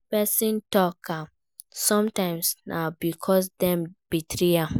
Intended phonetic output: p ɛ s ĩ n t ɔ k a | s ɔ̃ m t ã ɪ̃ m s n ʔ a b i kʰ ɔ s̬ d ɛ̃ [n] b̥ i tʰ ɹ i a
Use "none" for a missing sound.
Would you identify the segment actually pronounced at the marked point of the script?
m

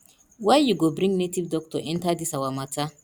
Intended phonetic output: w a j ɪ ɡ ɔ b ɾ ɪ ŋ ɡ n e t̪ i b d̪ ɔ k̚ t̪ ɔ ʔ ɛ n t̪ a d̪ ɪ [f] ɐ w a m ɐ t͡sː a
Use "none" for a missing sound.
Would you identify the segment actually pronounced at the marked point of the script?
s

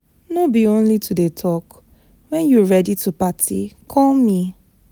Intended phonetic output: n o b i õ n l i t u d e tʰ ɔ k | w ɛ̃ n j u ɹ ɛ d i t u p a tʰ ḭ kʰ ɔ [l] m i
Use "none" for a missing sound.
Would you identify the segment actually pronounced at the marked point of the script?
l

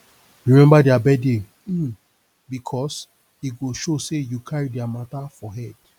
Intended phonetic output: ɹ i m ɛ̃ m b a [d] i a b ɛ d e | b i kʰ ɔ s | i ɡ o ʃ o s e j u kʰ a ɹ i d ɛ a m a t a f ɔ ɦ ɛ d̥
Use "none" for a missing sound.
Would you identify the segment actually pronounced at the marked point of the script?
d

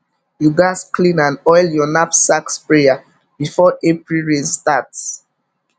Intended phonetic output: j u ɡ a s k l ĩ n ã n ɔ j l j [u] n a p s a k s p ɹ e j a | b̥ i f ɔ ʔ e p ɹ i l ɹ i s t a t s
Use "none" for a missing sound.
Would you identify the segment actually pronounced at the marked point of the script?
ɔ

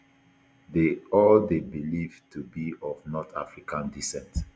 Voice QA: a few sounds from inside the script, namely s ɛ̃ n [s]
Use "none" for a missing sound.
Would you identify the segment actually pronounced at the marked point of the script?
t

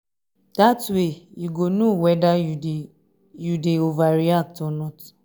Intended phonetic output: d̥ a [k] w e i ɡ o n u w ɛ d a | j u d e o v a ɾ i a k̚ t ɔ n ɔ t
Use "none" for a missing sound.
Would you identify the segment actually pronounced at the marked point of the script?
t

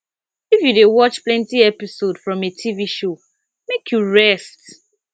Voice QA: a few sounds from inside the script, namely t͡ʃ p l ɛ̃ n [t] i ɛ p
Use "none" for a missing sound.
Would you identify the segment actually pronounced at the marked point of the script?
t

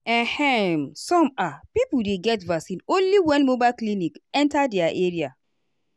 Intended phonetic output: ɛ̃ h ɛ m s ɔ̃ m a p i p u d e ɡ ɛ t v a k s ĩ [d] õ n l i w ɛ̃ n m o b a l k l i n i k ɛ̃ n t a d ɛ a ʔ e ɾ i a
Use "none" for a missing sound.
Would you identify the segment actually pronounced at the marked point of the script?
n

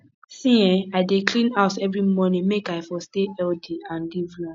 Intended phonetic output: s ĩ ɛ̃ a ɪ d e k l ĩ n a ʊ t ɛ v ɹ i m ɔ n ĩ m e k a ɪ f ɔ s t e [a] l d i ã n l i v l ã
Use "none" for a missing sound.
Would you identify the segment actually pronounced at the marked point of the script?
ɛ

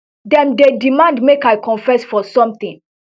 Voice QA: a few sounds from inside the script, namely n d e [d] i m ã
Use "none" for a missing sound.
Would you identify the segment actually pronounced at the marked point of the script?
d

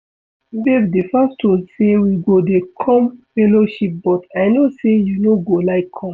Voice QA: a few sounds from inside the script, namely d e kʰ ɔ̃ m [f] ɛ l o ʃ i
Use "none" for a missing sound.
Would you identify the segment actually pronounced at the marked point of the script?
f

